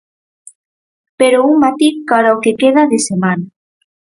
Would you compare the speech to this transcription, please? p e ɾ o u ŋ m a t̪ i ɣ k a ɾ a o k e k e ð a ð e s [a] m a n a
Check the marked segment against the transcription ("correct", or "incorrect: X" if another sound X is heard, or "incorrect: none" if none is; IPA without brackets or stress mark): incorrect: e